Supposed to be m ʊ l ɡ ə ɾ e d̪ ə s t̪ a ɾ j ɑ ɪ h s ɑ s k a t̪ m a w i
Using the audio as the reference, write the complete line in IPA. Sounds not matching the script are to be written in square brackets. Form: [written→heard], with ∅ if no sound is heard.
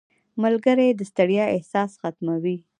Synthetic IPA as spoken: m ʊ l ɡ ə ɾ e d̪ ə s t̪ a [ɾ→ɽ] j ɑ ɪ h s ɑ s [k→x] a t̪ m a w i